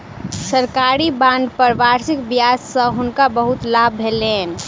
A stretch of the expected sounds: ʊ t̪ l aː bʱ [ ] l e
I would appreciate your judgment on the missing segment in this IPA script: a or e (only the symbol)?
e